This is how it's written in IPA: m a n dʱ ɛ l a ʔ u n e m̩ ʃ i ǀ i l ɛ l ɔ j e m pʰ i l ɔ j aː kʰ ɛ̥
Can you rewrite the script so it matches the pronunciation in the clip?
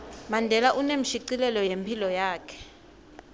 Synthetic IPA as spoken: m a n dʱ ɛ l a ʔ u n e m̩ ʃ i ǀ i l ɛ l ɔ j e m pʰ i l ɔ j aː kʰ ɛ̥

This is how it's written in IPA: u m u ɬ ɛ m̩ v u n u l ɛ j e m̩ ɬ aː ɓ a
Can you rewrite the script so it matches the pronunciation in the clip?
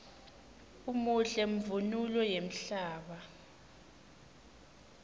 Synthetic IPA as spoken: u m u ɬ ɛ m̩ v u n u l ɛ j e m̩ ɬ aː ɓ a

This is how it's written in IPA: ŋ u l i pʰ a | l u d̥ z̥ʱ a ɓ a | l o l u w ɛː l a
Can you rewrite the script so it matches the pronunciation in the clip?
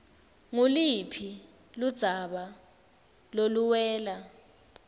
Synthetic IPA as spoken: ŋ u l i pʰ i | l u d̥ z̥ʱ a ɓ a | l o l u w ɛː l a

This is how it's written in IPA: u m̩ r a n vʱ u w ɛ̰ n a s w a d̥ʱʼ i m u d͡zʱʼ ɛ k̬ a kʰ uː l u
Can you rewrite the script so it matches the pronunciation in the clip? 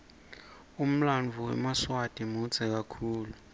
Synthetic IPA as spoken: u m̩ l a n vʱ u w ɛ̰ m a s w a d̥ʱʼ i m u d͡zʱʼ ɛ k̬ a kʰ uː l u

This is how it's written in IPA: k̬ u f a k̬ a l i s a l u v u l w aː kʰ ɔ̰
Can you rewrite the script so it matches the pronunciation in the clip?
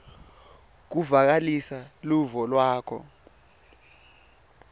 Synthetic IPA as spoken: k̬ u v a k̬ a l i s a l u v ɔ l w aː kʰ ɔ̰

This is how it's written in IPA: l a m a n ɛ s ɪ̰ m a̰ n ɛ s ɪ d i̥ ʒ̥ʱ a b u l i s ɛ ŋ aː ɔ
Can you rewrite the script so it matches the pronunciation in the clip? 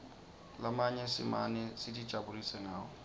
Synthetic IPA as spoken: l a m a ɲ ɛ s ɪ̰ m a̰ n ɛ s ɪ d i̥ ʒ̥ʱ a b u l i s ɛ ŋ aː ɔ

